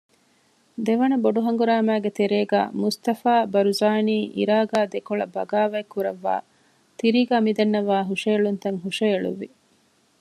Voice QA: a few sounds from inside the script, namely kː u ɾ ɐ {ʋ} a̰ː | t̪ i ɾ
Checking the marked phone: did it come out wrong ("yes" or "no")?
yes